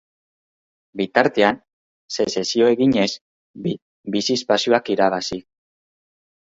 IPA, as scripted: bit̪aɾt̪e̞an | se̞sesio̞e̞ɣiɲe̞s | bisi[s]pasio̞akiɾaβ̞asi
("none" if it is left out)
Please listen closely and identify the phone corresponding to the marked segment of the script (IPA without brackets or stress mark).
s